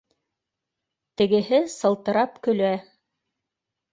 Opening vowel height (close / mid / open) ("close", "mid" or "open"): mid